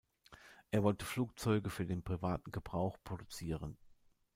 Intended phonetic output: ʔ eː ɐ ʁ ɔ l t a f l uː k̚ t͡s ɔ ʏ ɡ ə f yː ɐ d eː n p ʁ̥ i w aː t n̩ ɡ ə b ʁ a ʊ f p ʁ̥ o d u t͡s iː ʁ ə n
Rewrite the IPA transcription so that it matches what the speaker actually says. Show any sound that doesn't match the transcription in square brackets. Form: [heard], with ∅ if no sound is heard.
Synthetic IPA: ʔ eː ɐ [v] ɔ l t [ə] f l uː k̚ t͡s ɔ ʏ ɡ ə f yː ɐ d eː n p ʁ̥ i [v] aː t n̩ ɡ ə b ʁ a ʊ [x] p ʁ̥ o d u t͡s iː ʁ ə n